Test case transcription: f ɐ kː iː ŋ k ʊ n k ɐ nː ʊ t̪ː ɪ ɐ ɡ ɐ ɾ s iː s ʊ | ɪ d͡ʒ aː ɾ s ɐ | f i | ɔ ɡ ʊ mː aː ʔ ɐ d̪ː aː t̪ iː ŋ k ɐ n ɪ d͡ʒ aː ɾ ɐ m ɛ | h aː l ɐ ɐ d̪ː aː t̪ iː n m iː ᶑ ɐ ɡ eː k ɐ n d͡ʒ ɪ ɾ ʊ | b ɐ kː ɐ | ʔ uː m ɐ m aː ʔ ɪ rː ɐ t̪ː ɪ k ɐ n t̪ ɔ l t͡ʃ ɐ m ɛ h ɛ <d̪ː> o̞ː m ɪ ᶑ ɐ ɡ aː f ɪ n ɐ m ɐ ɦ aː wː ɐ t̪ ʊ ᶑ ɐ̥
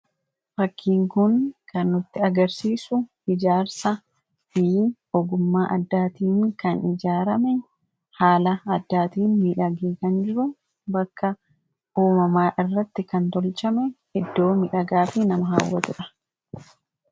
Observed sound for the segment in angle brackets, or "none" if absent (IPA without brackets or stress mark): d̪ː